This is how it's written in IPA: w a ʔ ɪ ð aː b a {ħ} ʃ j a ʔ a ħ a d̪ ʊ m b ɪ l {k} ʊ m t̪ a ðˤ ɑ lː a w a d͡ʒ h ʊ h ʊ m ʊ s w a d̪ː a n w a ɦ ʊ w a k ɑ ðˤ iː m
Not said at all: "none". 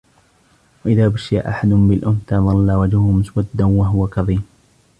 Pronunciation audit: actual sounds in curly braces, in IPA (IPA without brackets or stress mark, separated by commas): none, ʔ